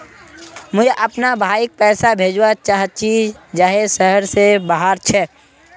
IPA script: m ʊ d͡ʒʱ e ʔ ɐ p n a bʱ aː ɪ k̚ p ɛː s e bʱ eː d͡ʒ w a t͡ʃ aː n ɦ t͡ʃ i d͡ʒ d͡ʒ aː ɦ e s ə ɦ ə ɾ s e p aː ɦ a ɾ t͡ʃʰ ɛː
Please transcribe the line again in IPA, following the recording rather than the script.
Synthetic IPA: m ʊ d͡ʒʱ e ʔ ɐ p n a bʱ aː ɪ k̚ p ɛː s a bʱ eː d͡ʒ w a t͡ʃ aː ɦ t͡ʃ i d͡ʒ d͡ʒ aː ɦ e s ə ɦ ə ɾ s e b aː ɦ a ɾ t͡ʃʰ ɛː

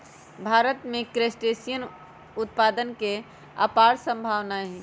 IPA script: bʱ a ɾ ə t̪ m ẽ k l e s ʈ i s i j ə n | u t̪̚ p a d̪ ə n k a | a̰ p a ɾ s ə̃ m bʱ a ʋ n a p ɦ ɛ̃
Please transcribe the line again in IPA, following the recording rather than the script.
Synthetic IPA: bʱ a ɾ ə t̪ m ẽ k ɾ e s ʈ e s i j ə n | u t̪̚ p a d̪ ə n k e | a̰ p a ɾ s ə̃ m bʱ a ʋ n a ɦ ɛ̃

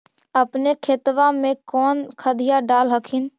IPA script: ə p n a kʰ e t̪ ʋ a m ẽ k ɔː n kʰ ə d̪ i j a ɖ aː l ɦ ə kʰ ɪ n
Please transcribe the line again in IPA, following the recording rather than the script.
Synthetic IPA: ə p n e kʰ e t̪ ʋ a m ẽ k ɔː n kʰ ə d̪ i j a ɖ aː l ɦ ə kʰ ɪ n

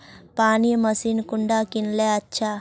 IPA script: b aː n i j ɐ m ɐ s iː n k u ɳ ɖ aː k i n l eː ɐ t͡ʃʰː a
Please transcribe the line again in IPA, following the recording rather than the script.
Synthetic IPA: p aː n i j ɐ m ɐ s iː n k u ɳ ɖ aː k i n l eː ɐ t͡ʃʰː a

